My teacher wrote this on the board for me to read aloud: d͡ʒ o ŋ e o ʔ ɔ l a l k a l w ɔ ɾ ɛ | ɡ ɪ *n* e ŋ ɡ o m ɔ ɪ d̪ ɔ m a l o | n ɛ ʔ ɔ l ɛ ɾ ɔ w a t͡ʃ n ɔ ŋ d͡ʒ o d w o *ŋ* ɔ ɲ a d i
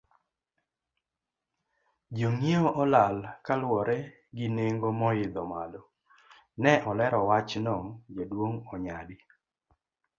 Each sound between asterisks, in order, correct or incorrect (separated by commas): correct, correct